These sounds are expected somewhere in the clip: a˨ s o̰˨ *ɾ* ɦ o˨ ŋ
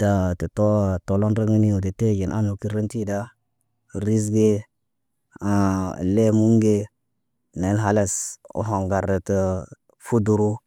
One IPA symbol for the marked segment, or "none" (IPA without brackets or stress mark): none